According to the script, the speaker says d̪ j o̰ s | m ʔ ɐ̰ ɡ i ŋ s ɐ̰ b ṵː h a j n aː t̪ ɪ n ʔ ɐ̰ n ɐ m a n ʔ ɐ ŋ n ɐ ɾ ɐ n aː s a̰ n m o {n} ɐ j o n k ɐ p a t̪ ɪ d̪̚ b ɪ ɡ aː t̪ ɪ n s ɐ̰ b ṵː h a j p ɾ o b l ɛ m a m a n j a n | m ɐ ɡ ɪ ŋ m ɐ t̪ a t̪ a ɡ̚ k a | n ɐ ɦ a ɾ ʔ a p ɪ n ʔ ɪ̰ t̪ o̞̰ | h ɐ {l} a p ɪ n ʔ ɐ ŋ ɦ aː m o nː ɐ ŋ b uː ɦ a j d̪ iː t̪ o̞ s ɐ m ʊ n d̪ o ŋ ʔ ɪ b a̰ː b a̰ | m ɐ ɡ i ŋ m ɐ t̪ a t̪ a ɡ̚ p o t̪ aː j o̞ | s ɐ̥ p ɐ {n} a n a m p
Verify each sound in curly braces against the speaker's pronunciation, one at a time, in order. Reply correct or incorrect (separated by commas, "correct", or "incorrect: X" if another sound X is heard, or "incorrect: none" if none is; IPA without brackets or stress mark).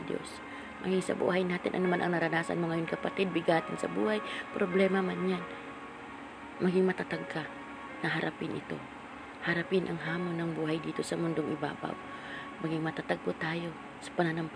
incorrect: ŋ, incorrect: ɾ, correct